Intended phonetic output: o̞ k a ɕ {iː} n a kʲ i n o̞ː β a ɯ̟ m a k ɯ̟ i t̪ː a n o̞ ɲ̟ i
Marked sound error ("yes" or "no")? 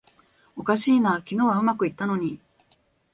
no